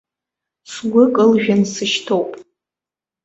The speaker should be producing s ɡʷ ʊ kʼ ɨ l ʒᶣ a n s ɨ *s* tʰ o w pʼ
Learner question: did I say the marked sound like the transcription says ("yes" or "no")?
no